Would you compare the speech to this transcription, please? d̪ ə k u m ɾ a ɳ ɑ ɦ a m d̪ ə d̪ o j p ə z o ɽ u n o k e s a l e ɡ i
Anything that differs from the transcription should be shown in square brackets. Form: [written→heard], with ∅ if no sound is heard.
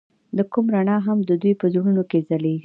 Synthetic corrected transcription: d̪ ə k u m ɾ a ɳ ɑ ɦ a m d̪ ə d̪ [o→u] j p ə z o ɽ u n o k e [s→z] a l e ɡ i